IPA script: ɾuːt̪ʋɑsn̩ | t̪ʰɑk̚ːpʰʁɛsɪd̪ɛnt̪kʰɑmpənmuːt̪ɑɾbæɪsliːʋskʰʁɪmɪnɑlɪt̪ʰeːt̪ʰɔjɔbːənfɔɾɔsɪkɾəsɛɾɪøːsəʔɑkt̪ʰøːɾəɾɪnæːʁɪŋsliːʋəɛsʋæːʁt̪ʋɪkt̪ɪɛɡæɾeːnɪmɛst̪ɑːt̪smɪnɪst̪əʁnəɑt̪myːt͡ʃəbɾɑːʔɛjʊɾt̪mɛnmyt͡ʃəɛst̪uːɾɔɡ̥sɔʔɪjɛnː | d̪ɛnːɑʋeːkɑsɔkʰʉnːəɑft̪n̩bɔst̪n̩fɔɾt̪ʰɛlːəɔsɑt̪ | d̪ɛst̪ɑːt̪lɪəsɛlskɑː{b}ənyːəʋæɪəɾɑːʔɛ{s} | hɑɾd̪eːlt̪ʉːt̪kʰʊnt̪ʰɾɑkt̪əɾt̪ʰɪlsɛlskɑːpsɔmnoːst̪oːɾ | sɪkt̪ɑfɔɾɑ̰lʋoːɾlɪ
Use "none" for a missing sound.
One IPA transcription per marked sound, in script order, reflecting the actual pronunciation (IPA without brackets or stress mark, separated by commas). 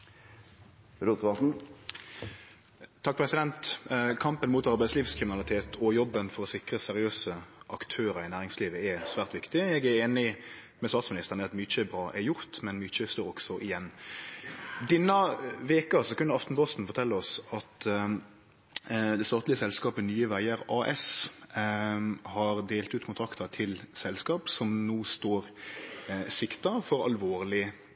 p, s